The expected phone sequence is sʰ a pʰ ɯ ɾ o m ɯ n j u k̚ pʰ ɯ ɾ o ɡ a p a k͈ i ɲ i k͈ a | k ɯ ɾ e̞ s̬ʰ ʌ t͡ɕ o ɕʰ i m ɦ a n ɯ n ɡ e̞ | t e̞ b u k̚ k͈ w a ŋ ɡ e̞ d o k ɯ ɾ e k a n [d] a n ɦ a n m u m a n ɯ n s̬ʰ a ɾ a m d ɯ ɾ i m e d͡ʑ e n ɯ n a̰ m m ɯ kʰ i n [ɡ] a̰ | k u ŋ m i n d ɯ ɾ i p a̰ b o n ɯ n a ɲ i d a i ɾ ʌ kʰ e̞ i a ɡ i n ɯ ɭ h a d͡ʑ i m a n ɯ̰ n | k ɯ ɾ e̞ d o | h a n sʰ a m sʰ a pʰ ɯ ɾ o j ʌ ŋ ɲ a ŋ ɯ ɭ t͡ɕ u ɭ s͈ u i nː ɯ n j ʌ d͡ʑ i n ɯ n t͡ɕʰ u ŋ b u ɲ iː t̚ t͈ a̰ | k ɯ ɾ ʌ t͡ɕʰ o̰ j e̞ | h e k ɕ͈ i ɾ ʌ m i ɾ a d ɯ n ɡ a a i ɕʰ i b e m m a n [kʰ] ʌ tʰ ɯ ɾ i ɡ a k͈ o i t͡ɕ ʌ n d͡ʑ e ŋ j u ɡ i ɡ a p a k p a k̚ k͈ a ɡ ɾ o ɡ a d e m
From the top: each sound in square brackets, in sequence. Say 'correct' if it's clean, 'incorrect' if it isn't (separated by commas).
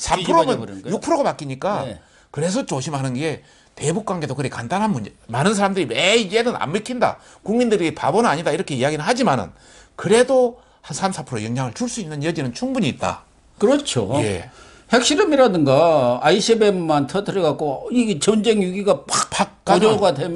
correct, incorrect, incorrect